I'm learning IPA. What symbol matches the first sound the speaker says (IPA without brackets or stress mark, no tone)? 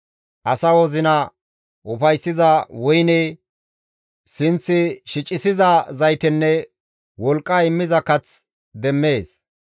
ʔ